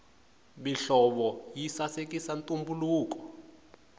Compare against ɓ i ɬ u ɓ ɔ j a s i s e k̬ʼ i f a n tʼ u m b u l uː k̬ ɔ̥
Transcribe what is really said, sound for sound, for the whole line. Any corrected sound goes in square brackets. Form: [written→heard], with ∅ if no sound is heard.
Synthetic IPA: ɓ i ɬ [u→ɔ] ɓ ɔ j [a→i] s [i→a] s e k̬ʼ i [f→s] a n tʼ u m b u l uː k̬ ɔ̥